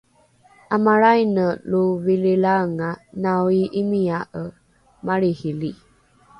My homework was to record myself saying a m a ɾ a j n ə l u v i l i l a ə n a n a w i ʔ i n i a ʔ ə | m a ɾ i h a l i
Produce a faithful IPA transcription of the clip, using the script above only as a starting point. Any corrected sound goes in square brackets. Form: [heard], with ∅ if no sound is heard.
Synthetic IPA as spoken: a m a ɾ a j n ə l u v i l i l a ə [ŋ] a n a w i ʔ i [m] i a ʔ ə | m a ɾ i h [i] l i

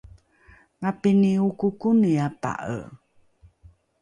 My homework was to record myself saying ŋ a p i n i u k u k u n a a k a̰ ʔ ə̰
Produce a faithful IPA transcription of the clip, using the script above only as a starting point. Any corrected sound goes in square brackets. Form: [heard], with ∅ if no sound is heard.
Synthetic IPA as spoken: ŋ a p i n i u k u k u n [i] a [p] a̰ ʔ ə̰

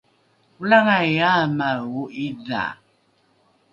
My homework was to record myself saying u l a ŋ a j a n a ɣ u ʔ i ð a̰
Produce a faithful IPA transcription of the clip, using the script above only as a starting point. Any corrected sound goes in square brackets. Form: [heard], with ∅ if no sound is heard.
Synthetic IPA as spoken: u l a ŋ a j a [m] a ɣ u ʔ i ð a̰

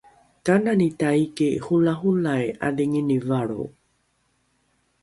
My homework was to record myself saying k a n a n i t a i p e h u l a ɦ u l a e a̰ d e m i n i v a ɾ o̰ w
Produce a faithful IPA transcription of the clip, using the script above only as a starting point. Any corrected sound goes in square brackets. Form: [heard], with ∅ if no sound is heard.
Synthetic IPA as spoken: k a n a n i t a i [k] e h u l a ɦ u l a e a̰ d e [ŋ] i n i v a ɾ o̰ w

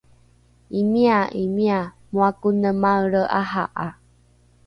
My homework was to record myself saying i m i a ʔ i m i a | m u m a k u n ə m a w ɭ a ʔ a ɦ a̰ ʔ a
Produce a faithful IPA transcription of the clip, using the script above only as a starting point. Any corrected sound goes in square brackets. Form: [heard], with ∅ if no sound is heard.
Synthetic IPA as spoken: i m i a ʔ i m i a | m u [∅] a k u n ə m a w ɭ [ə] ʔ a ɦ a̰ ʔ a

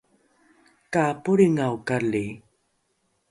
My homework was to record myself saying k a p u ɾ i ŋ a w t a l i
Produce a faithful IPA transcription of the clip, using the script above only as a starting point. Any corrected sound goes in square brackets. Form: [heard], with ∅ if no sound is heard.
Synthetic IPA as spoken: k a p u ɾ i ŋ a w [k] a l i

